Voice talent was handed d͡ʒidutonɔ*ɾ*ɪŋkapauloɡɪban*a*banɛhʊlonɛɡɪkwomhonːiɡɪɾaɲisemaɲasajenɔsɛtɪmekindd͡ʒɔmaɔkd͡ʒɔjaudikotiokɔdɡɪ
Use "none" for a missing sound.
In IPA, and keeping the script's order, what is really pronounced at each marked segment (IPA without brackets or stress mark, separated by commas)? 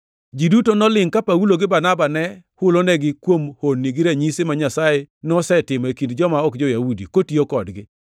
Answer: l, a